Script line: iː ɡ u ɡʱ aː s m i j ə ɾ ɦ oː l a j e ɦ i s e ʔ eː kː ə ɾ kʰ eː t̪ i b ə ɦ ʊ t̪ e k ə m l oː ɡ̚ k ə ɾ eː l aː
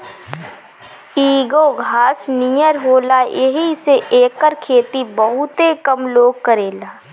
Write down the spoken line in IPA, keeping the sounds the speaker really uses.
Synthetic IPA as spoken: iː ɡ o ɡʱ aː s n i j ə ɾ ɦ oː l a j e ɦ i s e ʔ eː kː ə ɾ kʰ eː t̪ i b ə ɦ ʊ t̪ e k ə m l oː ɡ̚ k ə ɾ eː l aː